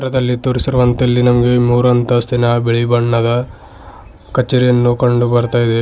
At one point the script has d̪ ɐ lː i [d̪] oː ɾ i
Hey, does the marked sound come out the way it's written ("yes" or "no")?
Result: no